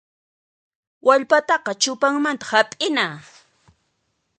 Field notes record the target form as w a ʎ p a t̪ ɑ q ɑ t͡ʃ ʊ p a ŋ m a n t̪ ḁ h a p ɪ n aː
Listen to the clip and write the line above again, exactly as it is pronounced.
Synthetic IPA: w a ʎ p a t̪ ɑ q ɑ t͡ʃ ʊ p a ŋ m a n t̪ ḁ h a pʼ ɪ n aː